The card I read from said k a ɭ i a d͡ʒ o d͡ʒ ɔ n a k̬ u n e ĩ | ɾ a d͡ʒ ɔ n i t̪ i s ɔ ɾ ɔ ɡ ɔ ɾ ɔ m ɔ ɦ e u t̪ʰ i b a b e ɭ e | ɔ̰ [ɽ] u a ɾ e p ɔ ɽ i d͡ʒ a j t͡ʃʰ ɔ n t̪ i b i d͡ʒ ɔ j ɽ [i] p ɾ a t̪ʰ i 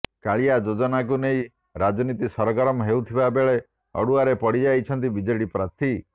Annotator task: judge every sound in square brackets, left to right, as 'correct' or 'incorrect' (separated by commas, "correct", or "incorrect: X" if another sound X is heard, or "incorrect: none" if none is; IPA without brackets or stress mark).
correct, correct